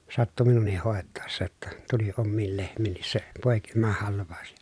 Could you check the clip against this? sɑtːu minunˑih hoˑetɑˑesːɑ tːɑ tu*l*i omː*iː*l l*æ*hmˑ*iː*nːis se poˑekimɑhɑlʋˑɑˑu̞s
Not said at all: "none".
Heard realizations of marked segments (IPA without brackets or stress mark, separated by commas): l, iː, e, iː